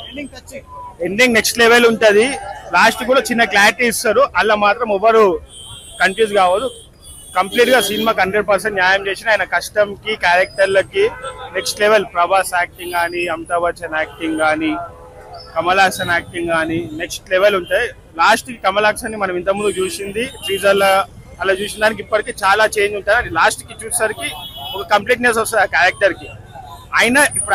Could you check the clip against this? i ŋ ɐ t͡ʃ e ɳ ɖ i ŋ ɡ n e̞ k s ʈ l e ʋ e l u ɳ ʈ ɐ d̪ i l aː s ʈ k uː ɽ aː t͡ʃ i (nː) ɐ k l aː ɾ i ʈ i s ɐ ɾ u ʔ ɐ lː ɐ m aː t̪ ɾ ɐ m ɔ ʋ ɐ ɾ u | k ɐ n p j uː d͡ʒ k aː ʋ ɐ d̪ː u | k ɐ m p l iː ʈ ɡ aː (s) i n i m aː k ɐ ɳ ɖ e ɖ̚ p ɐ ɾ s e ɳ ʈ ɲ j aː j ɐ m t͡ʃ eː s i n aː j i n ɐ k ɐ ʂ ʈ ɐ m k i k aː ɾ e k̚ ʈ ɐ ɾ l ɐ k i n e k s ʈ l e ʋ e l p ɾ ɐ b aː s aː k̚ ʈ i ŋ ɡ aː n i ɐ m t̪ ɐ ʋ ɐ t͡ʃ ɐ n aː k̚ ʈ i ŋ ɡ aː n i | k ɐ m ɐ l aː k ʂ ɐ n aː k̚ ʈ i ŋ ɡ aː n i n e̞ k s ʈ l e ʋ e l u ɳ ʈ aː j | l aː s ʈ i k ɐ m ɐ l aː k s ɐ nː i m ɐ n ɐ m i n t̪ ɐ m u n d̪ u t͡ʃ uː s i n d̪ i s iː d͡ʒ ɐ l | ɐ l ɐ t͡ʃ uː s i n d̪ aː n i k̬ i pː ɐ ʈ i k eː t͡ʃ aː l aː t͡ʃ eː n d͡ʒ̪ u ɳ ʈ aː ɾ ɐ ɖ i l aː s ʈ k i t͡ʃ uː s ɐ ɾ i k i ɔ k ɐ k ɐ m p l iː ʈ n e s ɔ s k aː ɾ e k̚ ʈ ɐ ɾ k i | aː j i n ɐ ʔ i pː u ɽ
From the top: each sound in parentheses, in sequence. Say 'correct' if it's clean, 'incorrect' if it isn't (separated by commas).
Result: correct, correct